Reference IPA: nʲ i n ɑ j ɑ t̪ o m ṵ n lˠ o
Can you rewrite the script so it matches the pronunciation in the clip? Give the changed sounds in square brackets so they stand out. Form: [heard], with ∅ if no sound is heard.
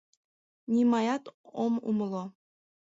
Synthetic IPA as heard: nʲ i [m] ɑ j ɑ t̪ o m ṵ [m] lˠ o